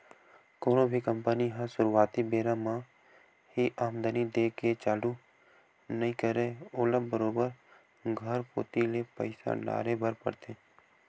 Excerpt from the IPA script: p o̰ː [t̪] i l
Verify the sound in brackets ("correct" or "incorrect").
correct